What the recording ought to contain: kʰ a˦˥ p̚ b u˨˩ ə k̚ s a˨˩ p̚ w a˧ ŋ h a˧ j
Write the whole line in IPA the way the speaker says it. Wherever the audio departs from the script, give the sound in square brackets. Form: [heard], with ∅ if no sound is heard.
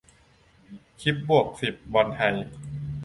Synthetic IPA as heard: kʰ [i˦˥] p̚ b u˨˩ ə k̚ s [i˨˩] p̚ w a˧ [n] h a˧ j